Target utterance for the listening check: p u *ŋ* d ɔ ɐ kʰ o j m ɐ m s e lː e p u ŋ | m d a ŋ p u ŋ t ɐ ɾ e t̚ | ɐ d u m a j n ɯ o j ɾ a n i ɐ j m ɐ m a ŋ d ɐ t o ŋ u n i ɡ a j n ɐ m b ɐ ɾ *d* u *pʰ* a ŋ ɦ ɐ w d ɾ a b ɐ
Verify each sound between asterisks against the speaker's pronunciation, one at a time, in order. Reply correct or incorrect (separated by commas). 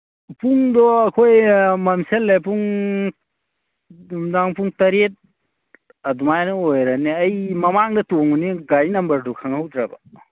correct, correct, incorrect